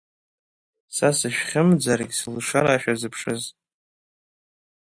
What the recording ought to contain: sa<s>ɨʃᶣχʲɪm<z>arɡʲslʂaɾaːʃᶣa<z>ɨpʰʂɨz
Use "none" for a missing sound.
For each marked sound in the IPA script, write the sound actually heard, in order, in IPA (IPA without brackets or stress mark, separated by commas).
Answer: s, d͡z, z